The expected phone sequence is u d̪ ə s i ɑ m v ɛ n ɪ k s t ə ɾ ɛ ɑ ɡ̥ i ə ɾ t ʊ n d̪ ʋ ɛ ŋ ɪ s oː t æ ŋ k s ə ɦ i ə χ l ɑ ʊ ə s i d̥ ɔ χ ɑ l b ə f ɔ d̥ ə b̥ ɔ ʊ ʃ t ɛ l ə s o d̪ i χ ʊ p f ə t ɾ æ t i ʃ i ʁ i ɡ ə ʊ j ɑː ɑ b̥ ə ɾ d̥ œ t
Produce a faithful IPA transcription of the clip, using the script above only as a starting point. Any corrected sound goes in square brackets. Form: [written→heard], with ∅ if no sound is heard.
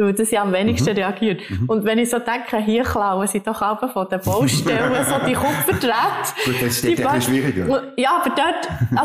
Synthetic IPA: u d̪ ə s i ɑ m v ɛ n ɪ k [s→ʃ] t ə ɾ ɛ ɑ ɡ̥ i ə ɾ t ʊ n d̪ ʋ ɛ [ŋ→n] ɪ s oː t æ ŋ k [s→χ] ə ɦ i ə χ l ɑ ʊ ə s i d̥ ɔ χ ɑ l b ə f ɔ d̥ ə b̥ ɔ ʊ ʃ t ɛ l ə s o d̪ i χ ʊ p f ə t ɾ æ t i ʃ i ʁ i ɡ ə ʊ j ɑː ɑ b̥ ə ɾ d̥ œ t